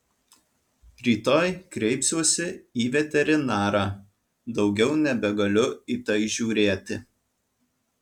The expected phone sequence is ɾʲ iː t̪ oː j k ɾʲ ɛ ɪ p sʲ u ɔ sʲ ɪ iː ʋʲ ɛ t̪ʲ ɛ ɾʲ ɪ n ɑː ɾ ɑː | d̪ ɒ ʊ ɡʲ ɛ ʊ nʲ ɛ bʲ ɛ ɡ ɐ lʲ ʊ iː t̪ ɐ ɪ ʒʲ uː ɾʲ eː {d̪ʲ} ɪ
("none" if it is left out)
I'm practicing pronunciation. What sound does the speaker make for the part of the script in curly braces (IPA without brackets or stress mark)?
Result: t̪ʲ